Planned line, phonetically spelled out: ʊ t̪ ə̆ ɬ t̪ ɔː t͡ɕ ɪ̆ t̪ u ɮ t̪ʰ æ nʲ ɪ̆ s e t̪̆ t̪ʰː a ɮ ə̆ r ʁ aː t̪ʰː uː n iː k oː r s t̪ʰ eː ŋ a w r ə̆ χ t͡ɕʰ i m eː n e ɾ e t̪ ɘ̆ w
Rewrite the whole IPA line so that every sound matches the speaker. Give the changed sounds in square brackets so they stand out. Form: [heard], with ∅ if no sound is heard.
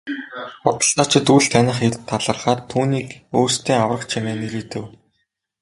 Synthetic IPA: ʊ t̪ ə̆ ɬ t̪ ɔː t͡ɕ ɪ̆ t̪ u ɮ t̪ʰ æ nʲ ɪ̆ [χ] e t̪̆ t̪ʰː a ɮ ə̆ r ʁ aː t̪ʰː uː n iː k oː r s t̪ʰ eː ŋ a w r ə̆ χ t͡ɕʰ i m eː n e ɾ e t̪ ɘ̆ w